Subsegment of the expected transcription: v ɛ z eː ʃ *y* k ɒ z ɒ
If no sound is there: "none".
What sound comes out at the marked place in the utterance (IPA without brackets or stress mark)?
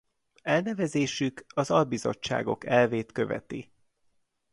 y